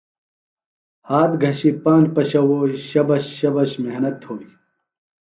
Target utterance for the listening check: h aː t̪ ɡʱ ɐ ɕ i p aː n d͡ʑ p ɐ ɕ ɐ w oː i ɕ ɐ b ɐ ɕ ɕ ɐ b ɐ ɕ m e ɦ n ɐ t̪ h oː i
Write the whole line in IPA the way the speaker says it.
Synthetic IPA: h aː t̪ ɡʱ ɐ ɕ i p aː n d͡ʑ p ɐ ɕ ɐ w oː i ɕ ɐ b ɐ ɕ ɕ ɐ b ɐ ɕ m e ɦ n ɐ t̪ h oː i